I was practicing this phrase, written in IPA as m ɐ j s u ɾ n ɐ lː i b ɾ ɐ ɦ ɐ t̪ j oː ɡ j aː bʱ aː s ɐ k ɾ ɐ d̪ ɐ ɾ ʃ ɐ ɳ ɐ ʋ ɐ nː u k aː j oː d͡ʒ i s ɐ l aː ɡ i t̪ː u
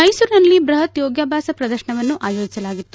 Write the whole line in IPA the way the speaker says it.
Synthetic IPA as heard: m ɐ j s u ɾ n ɐ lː i b ɾ ɐ ɦ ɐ t̪ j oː ɡ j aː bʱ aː s ɐ p ɾ ɐ d̪ ɐ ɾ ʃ ɐ ɳ ɐ ʋ ɐ nː u ʔ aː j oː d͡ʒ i s ɐ l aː ɡ i t̪ː u